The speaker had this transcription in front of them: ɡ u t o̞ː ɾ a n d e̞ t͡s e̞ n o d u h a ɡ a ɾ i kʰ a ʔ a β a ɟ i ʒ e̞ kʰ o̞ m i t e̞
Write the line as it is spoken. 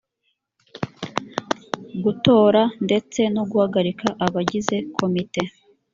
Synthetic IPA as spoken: ɡ u t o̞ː ɾ a n d e̞ t͡s e̞ n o ɡ u h a ɡ a ɾ i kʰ a ʔ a β a ɟ i z e̞ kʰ o̞ m i t e̞